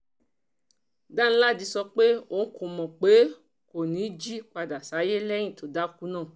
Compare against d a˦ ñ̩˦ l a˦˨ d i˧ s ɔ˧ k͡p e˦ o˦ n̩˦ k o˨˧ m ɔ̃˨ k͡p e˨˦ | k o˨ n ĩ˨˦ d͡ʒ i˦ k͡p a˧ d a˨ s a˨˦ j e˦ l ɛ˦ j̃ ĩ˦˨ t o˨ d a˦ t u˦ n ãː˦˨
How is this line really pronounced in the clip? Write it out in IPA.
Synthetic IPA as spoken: d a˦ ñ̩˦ l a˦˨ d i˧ s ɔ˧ k͡p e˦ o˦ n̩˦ k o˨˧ m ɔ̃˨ k͡p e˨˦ | k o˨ n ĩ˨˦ d͡ʒ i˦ k͡p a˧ d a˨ s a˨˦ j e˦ l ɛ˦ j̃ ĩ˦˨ t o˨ d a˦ k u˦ n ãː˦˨